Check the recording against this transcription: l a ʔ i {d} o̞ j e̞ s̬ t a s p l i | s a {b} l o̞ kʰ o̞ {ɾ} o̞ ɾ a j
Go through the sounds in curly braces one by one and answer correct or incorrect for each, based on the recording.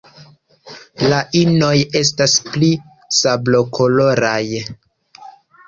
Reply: incorrect: n, correct, incorrect: l

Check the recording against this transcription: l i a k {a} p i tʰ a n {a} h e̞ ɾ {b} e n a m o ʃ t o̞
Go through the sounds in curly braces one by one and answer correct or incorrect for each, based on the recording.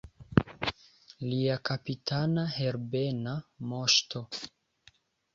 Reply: correct, correct, correct

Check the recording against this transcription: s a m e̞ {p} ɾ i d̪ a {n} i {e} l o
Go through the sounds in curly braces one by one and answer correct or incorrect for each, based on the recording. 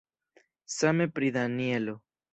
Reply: correct, correct, correct

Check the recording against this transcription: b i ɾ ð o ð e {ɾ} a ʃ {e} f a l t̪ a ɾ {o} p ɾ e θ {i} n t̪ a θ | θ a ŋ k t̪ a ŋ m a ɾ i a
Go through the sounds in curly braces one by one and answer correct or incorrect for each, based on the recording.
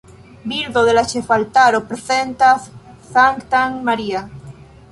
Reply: incorrect: l, correct, correct, incorrect: e

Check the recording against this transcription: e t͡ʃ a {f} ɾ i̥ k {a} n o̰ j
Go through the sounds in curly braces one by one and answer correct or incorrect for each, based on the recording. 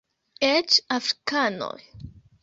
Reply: correct, correct

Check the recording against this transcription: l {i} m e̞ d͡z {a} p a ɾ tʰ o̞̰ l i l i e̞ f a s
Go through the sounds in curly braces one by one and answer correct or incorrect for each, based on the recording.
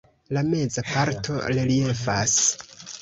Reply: incorrect: a, correct

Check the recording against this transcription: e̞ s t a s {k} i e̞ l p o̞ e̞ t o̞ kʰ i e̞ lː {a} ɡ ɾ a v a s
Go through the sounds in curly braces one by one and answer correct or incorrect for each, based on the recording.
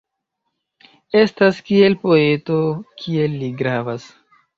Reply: correct, incorrect: i

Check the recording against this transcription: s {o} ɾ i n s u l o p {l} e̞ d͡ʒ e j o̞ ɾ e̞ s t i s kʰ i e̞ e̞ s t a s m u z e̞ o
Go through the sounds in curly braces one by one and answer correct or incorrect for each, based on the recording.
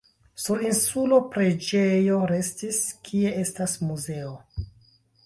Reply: incorrect: u, incorrect: ɾ

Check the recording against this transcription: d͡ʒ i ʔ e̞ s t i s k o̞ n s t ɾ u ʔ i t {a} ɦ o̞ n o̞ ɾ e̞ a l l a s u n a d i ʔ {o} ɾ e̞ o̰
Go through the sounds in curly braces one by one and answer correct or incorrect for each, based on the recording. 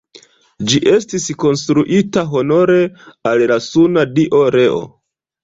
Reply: correct, correct

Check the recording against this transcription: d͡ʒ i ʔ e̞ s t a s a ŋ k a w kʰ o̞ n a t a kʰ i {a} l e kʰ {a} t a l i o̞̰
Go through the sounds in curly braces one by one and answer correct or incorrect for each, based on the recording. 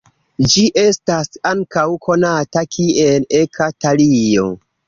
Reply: incorrect: e, correct

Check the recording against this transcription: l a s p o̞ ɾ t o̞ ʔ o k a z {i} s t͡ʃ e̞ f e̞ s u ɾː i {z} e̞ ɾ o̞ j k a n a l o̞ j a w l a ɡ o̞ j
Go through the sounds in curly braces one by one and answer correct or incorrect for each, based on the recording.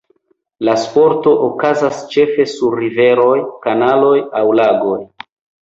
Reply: incorrect: a, incorrect: v

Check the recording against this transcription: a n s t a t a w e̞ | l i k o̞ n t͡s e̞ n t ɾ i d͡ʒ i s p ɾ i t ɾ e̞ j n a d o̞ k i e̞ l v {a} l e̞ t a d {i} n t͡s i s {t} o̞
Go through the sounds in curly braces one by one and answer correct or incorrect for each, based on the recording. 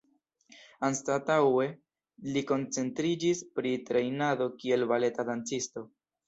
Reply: correct, incorrect: a, correct

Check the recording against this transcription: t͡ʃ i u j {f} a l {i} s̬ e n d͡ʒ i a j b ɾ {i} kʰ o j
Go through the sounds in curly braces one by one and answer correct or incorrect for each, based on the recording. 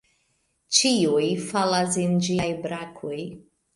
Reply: correct, incorrect: a, incorrect: a

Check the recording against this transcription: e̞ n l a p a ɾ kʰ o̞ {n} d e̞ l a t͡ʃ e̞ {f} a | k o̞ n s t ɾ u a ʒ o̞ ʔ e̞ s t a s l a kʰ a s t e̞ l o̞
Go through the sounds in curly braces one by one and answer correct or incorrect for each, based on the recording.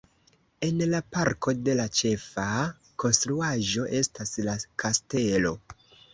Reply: incorrect: none, correct

